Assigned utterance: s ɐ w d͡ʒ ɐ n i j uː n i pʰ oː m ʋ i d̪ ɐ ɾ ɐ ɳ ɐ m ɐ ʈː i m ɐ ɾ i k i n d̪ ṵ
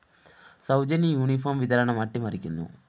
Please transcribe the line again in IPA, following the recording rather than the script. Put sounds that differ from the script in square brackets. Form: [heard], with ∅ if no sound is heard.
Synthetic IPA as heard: s ɐ w d͡ʒ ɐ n i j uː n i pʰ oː m ʋ i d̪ ɐ ɾ ɐ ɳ ɐ m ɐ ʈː i m ɐ ɾ i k i n d̪ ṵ